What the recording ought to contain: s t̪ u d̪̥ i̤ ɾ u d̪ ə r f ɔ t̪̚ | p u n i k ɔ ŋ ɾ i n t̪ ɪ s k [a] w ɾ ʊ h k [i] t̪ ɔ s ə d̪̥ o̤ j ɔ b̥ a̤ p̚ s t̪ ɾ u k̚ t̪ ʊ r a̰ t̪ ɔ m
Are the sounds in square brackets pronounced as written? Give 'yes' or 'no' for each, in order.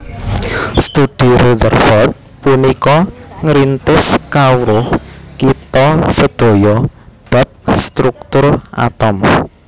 yes, yes

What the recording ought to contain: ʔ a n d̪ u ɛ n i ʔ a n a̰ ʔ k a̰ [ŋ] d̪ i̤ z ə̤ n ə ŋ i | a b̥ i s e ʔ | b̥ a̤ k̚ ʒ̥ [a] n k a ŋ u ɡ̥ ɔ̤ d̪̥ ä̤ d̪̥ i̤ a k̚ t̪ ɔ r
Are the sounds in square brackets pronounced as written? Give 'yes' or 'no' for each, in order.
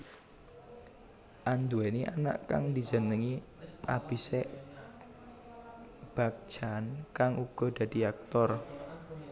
yes, yes

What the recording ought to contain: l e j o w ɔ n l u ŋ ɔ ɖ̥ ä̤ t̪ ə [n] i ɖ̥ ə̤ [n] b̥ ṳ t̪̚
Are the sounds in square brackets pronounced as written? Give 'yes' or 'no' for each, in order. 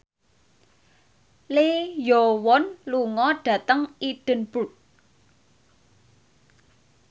no, yes

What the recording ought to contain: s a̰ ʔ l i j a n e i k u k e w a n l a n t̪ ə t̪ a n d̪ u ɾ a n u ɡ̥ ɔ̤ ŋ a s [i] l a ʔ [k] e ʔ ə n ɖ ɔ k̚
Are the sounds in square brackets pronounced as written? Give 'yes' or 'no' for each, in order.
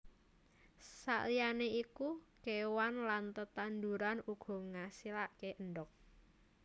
yes, yes

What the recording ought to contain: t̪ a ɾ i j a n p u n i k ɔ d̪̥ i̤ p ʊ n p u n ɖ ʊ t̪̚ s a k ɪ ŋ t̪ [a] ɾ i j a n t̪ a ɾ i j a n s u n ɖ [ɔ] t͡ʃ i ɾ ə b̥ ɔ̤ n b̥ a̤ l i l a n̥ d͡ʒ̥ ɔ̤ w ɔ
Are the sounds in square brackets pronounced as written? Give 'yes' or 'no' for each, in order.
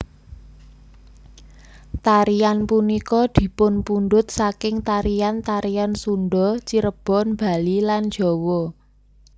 yes, yes

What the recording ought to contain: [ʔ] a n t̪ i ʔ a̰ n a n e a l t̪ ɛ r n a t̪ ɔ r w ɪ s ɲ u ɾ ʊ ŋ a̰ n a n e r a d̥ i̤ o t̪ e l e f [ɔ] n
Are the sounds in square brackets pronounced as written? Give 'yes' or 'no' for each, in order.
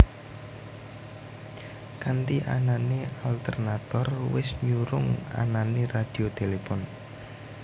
no, yes

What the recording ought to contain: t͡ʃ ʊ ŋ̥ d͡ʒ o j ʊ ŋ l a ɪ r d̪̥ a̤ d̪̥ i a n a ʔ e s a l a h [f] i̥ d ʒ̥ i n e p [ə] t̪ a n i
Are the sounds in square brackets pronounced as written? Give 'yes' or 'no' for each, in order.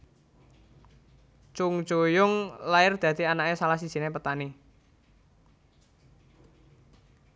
no, yes

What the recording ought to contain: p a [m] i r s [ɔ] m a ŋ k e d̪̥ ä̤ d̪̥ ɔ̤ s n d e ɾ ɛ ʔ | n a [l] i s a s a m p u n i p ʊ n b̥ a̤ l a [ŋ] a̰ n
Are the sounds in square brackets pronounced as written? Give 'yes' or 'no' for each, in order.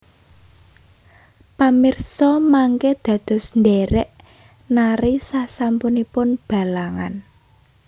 yes, yes, no, yes

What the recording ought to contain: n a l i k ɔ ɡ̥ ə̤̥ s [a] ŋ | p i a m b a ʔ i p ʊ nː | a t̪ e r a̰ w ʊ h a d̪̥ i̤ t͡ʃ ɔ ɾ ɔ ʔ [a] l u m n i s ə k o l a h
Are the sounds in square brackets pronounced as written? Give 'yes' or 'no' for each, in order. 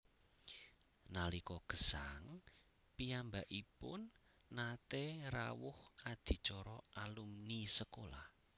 yes, yes

